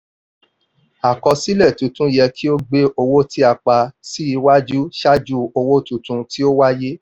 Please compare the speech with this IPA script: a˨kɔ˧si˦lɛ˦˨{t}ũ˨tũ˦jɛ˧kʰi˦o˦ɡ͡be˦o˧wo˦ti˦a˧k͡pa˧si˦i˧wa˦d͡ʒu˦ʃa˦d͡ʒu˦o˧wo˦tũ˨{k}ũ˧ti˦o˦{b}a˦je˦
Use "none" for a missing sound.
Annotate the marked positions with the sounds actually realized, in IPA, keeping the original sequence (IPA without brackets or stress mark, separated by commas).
t, t, w